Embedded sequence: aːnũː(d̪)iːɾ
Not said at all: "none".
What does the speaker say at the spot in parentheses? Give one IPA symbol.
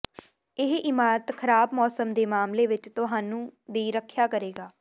d̪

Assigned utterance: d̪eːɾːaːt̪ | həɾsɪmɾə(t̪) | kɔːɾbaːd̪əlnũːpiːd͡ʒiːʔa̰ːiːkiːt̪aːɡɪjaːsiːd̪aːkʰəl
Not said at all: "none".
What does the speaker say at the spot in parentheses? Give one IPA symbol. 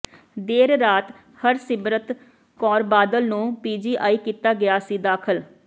t̪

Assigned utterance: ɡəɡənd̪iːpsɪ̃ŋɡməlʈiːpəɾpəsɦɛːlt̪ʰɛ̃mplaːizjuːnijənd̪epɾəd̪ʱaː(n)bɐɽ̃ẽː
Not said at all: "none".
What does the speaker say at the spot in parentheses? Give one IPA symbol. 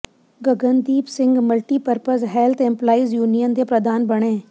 n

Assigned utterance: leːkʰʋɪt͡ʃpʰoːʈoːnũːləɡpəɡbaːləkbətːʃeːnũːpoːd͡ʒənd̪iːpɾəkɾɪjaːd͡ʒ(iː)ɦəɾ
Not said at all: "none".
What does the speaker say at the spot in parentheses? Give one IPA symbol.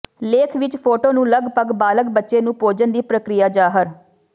aː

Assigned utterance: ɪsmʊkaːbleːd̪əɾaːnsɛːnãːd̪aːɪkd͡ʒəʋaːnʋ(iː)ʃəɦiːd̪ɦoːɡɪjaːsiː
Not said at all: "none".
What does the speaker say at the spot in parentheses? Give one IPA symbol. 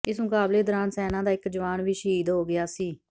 iː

